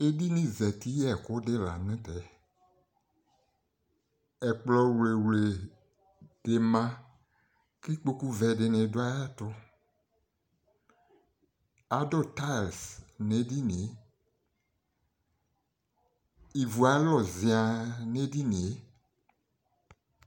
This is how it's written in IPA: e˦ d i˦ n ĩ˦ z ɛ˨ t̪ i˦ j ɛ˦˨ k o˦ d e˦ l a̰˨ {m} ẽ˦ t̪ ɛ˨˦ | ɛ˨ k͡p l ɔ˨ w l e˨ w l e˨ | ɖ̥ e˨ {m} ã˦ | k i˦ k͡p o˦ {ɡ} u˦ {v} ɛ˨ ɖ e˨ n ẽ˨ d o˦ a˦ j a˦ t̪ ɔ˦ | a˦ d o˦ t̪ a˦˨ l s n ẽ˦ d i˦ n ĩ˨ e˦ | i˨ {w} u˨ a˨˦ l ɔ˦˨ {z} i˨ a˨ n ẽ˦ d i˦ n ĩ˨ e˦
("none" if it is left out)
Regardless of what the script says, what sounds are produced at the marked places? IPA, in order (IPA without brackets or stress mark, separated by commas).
n, m, k, v, v, z